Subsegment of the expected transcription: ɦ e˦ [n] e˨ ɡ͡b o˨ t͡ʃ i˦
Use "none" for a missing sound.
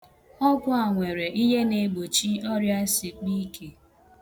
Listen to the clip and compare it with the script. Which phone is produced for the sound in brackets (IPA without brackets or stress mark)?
n